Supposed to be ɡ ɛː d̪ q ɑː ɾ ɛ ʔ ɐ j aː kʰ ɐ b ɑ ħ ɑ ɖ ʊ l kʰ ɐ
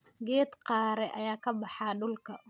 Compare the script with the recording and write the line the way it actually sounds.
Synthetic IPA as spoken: ɡ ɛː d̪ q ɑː ɾ ɛ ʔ ɐ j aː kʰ ɐ b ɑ ħ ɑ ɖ ʊ l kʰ ɐ